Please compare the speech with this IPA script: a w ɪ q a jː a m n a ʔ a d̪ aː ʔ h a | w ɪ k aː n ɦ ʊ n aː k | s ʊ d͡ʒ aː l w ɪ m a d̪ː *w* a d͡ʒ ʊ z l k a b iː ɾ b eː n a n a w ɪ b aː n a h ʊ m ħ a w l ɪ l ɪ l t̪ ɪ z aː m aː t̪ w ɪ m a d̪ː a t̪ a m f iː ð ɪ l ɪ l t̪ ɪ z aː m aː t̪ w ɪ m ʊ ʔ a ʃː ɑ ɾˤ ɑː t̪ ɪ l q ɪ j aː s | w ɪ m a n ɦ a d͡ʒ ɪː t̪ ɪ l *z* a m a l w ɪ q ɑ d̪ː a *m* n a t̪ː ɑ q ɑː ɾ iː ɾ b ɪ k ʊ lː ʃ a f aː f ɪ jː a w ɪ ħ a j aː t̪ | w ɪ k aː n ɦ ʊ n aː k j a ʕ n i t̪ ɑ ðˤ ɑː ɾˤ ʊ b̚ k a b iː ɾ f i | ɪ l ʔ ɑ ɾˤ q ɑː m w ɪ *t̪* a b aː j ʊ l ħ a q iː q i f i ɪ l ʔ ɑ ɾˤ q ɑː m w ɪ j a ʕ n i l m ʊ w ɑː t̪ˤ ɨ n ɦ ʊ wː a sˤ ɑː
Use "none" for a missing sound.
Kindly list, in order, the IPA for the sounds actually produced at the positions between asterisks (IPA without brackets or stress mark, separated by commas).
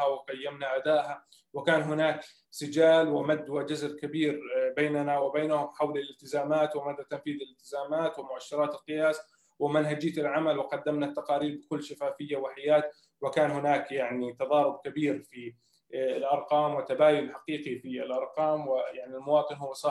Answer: w, ʕ, m, t̪